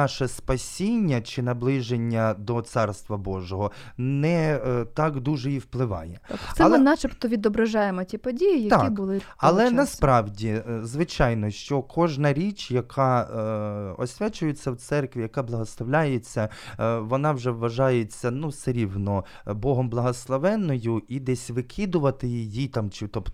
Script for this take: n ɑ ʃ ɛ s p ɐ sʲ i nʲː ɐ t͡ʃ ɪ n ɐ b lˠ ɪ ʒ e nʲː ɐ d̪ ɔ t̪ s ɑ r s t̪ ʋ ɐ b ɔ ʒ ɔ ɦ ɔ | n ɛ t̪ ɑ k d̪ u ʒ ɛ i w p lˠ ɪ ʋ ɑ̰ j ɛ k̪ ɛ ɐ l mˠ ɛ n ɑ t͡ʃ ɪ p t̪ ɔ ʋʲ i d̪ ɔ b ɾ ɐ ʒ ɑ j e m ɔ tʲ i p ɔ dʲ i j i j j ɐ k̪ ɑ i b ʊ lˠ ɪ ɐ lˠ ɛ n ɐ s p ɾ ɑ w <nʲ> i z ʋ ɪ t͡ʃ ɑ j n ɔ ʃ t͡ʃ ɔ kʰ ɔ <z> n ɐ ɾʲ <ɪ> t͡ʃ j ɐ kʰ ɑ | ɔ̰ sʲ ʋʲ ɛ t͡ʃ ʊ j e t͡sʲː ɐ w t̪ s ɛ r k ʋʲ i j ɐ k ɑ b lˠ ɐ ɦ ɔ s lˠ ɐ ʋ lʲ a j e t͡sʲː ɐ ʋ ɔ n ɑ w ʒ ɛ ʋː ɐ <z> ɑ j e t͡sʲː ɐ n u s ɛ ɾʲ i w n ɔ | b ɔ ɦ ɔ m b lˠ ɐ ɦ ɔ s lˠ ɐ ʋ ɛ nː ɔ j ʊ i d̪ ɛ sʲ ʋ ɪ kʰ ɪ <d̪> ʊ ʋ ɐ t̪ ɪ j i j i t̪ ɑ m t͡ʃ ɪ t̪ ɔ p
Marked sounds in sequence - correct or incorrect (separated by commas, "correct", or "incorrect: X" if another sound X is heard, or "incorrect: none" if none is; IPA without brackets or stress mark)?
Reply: incorrect: dʲ, incorrect: ʒ, incorrect: i, incorrect: ʒ, correct